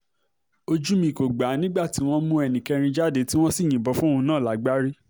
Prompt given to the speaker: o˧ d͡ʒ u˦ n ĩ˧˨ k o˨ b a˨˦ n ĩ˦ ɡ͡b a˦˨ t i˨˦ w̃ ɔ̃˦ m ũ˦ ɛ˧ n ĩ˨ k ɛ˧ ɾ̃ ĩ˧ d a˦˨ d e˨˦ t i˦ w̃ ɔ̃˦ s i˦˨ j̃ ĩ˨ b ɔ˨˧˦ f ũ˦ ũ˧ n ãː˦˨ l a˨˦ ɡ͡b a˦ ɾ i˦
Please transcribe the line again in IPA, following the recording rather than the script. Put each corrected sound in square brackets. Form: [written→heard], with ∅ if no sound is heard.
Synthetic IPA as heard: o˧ d͡ʒ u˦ [n→m] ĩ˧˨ k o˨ [b→ɡ͡b] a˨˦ n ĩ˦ ɡ͡b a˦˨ t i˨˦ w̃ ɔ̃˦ m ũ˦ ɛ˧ n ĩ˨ k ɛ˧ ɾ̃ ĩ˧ [d→d͡ʒ] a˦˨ d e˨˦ t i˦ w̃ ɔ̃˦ s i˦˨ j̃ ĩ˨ b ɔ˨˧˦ f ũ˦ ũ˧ n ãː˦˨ l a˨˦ ɡ͡b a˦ ɾ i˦